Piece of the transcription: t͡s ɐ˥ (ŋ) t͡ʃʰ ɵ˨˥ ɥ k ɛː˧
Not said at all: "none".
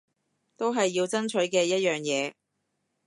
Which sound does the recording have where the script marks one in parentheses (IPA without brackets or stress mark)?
n